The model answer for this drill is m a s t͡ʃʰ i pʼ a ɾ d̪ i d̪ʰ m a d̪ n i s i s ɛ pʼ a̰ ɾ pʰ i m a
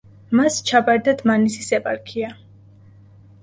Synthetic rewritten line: m a s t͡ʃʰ a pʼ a ɾ d̪ a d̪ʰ m a n i s i s ɛ pʼ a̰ ɾ kʰ i a